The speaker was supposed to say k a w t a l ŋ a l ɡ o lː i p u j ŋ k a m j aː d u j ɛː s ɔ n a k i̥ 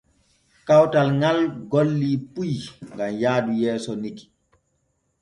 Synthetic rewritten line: k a w t a l ŋ a l ɡ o lː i p u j ŋ ɡ a m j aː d u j ɛː s ɔ n i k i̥